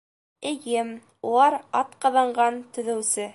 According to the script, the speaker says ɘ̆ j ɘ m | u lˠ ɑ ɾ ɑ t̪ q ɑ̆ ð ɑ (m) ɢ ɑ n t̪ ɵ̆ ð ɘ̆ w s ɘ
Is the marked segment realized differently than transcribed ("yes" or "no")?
yes